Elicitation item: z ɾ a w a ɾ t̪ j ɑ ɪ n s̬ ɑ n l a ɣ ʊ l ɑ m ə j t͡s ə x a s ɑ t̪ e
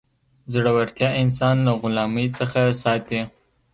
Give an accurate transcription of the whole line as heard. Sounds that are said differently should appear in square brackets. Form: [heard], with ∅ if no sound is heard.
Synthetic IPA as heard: z [ɽ] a w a ɾ t̪ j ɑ ɪ n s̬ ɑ n l a ɣ ʊ l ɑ m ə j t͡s ə x a s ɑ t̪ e